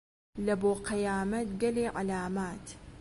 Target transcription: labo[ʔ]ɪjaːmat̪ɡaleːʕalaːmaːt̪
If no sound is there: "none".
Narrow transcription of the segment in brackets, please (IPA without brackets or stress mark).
q